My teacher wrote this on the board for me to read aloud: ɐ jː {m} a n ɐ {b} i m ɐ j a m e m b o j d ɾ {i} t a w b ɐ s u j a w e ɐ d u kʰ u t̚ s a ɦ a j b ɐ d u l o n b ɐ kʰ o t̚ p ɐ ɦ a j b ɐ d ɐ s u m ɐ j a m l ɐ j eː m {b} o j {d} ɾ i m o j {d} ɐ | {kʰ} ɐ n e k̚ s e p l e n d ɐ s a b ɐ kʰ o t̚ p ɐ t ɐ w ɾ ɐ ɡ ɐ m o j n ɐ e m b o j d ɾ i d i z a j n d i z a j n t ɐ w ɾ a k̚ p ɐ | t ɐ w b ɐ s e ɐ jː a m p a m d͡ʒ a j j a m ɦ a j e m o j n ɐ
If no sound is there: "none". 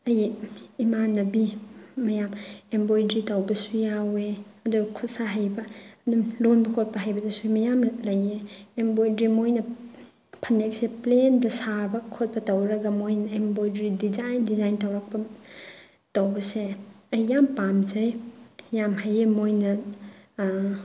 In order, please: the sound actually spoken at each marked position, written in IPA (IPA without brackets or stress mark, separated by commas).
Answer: m, b, i, b, d, n, pʰ